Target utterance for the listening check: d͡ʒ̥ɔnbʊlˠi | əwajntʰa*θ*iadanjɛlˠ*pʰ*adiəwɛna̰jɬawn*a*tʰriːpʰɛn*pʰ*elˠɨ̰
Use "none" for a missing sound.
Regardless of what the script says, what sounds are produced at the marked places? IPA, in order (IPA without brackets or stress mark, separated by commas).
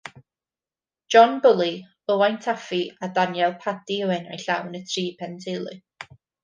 f, pʰ, ə, tʰ